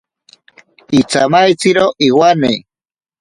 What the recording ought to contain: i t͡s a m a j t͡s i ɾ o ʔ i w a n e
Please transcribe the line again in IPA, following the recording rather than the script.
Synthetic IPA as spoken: i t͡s a m a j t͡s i ɾ o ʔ i w a n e